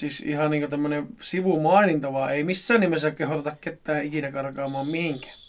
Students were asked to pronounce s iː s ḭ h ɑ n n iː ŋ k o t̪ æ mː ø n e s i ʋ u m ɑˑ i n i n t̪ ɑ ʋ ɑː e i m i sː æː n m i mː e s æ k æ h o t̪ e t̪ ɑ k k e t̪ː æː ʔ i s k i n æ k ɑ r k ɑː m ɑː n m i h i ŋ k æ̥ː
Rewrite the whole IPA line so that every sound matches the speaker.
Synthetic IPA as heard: s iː s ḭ h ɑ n n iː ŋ k o t̪ æ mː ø n e s i ʋ u m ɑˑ i n i n t̪ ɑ ʋ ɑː e i m i sː æː n n i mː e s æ k e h o t̪ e t̪ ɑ k k e t̪ː æː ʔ i k i n æ k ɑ r k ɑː m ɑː m m i h i ŋ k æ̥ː